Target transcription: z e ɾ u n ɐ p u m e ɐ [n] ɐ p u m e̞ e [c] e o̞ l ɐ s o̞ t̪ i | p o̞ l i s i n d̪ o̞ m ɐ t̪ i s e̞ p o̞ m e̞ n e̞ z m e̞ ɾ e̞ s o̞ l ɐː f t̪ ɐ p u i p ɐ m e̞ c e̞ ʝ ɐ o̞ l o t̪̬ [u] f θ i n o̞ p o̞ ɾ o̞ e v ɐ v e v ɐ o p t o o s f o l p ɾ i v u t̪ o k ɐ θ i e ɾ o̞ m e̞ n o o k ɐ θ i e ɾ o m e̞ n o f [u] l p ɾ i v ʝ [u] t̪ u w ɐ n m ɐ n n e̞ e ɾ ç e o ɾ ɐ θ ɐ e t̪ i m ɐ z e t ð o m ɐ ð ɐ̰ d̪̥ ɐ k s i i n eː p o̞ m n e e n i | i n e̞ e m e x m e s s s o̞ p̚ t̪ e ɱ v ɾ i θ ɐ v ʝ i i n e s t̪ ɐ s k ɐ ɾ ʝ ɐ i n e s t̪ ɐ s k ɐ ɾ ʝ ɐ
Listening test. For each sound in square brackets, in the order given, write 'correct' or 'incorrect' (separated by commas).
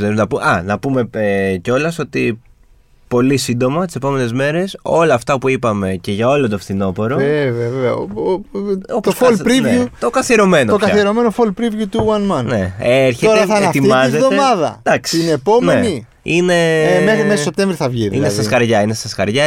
correct, correct, incorrect, incorrect, correct